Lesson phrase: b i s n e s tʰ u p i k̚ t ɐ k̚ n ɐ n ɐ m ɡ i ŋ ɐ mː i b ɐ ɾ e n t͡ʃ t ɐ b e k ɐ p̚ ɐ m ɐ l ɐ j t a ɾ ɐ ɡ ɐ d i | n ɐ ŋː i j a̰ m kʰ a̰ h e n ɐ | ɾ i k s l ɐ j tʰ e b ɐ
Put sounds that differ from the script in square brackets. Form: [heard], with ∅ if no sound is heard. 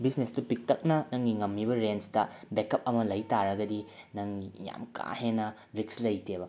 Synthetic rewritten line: b i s n e s [t] u p i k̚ t ɐ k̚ n ɐ n ɐ [ŋ] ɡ i ŋ ɐ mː i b ɐ ɾ e n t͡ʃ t ɐ b e k ɐ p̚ ɐ m ɐ l ɐ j t a ɾ ɐ ɡ ɐ d i | n ɐ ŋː i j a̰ m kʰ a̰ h e n ɐ | ɾ i k s l ɐ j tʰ e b ɐ